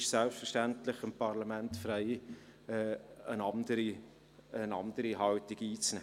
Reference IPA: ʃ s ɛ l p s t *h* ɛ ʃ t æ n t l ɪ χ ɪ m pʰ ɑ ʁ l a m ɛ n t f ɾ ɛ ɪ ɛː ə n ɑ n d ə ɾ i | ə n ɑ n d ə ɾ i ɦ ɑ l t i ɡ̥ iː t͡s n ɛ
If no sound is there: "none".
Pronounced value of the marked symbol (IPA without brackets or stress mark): f